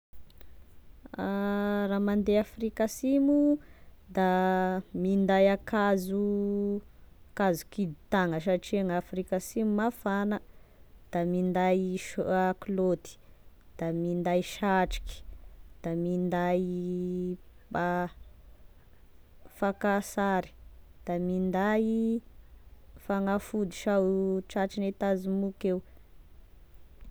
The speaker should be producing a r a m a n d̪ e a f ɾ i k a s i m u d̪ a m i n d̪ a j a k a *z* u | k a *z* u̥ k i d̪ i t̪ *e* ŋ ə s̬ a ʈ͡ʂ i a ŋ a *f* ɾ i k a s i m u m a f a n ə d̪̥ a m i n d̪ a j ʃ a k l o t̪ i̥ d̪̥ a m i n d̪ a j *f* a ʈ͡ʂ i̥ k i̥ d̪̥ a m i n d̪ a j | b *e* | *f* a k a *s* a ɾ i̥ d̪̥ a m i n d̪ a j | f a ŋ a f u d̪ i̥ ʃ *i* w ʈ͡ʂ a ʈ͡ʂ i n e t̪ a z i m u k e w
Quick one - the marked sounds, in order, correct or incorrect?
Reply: correct, correct, incorrect, correct, incorrect, incorrect, correct, correct, incorrect

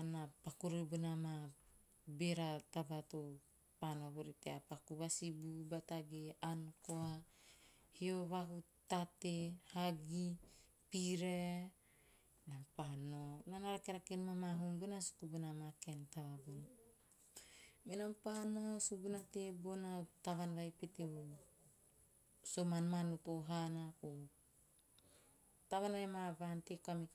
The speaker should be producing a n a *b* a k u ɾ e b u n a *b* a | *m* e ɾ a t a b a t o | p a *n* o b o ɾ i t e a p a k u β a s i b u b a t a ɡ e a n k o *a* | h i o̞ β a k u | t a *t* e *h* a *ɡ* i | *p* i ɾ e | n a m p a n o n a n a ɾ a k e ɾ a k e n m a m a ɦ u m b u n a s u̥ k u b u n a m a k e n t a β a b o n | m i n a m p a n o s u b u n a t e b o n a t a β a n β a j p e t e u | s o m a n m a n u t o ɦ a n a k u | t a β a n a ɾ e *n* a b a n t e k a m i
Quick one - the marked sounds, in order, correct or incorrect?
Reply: incorrect, incorrect, incorrect, correct, correct, correct, correct, correct, correct, incorrect

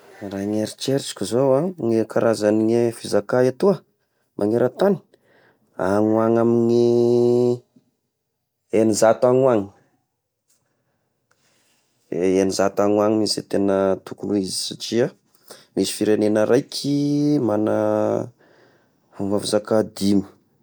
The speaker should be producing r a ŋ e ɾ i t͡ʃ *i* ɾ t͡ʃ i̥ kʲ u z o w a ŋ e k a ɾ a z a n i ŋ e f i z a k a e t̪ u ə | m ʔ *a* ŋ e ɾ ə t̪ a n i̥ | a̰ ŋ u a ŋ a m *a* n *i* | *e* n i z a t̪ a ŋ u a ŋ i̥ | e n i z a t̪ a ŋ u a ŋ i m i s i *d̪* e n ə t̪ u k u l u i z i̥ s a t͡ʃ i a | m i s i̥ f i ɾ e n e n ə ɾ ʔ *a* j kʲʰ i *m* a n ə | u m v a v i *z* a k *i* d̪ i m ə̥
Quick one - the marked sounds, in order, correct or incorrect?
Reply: incorrect, correct, incorrect, correct, correct, incorrect, correct, correct, correct, incorrect

